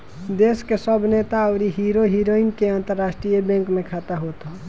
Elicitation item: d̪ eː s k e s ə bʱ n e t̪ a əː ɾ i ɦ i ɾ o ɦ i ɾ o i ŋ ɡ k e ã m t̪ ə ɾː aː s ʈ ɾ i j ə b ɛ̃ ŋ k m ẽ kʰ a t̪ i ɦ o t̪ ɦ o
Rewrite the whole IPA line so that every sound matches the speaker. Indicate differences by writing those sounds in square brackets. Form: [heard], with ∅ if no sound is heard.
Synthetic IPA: d̪ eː s k e s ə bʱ n e t̪ a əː ɾ i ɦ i ɾ o ɦ i ɾ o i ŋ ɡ k e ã [n] t̪ ə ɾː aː s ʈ ɾ i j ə b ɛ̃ ŋ k m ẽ kʰ a t̪ [a] ɦ o t̪ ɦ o